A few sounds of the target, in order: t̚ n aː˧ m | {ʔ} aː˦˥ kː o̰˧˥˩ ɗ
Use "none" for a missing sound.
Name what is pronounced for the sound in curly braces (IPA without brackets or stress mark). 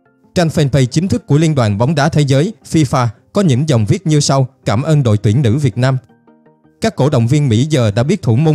k